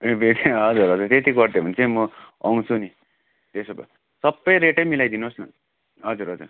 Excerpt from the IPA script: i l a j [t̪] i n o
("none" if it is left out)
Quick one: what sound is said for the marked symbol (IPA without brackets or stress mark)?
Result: d̪